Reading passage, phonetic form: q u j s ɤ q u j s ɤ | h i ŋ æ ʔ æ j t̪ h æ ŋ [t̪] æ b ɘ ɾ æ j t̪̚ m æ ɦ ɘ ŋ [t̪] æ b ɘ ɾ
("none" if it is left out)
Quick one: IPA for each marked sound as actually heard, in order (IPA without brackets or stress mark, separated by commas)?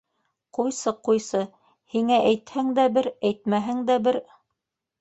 d̪, d̪